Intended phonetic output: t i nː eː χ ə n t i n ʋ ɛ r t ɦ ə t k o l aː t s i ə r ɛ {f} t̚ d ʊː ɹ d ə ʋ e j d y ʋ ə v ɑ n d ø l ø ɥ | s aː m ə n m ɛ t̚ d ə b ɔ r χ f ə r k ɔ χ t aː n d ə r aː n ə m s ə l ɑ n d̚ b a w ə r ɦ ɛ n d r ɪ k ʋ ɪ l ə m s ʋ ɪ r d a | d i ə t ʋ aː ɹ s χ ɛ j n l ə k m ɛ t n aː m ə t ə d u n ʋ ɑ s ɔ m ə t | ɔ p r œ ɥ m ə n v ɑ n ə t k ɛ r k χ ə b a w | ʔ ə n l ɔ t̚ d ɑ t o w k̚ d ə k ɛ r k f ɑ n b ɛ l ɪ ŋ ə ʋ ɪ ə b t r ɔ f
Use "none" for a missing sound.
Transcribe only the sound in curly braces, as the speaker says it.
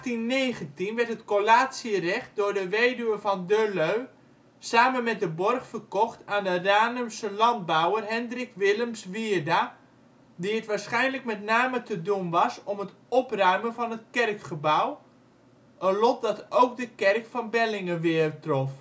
χ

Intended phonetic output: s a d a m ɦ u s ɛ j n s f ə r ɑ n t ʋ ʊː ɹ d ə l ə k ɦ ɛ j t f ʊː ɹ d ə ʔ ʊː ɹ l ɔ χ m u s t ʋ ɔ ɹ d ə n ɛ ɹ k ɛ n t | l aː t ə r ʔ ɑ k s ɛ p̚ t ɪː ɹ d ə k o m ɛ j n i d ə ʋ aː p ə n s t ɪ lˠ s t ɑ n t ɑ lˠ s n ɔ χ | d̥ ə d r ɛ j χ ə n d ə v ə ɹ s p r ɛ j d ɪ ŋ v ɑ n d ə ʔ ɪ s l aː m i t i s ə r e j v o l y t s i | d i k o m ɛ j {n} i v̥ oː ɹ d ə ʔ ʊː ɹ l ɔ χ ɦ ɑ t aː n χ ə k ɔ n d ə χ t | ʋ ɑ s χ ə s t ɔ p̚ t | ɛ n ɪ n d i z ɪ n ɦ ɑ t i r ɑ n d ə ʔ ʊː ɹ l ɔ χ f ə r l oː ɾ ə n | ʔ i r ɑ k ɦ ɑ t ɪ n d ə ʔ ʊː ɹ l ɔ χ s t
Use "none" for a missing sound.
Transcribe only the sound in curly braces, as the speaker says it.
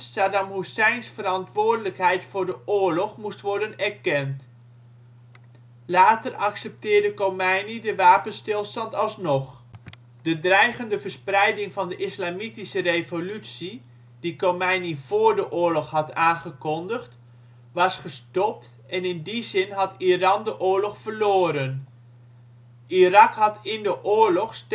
n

